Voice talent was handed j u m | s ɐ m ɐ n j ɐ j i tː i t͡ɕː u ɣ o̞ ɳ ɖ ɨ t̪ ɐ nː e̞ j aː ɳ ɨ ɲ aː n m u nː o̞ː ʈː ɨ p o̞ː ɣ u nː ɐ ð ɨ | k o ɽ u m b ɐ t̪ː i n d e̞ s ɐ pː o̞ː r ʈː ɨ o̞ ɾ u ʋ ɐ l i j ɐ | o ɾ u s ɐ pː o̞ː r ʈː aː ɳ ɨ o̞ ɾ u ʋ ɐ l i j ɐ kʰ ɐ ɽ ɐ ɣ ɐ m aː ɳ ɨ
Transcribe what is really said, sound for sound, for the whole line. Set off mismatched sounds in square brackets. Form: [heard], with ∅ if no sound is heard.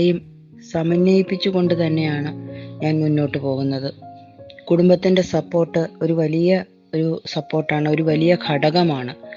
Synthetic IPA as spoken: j u m | s ɐ m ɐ n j ɐ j i [pː] i t͡ɕː u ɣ o̞ ɳ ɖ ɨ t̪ ɐ nː e̞ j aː ɳ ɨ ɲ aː n m u nː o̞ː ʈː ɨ p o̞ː ɣ u nː ɐ ð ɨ | k [u] ɽ u m b ɐ t̪ː i n d e̞ s ɐ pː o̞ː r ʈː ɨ o̞ ɾ u ʋ ɐ l i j ɐ | o ɾ u s ɐ pː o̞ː r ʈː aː ɳ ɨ o̞ ɾ u ʋ ɐ l i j ɐ kʰ ɐ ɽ ɐ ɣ ɐ m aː ɳ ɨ